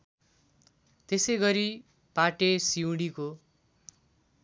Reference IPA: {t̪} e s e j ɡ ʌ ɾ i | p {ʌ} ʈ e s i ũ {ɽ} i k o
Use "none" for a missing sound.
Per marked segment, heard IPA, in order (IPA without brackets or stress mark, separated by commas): t̪, a, ɽ